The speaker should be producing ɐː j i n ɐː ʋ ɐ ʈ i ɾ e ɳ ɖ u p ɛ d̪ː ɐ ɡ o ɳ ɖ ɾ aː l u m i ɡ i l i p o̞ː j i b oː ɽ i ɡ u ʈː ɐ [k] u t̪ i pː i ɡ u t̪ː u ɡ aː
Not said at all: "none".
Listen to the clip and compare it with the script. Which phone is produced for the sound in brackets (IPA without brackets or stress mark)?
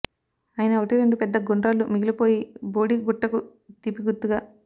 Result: k